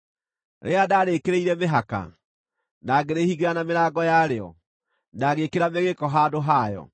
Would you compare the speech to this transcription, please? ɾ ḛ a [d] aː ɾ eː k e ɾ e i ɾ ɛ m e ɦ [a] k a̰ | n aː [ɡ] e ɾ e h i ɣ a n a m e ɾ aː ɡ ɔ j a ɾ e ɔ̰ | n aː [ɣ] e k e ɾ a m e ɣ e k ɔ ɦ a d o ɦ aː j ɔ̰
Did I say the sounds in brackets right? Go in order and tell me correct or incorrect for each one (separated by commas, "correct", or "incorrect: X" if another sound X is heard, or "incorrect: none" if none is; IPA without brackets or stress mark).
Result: correct, correct, correct, correct